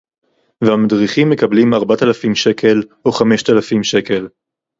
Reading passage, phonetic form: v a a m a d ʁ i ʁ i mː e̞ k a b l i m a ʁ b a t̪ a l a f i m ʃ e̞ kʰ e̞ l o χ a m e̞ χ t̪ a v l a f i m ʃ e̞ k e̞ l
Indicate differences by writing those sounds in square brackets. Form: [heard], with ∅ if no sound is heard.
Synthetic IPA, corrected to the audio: v [e] a m a d ʁ i [χ] i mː e̞ k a b l i m a ʁ b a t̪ a l a f i m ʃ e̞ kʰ e̞ l o χ a m e̞ [ʃ] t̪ a [∅] l a f i m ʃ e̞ k e̞ l